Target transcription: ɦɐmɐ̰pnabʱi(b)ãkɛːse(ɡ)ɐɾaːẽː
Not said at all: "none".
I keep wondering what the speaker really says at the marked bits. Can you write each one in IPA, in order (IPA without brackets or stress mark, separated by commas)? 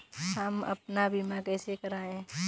m, k